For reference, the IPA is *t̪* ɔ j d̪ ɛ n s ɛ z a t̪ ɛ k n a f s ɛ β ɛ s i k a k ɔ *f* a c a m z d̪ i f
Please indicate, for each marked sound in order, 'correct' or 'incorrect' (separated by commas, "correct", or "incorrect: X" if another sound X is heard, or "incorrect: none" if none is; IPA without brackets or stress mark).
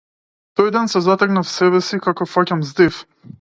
correct, correct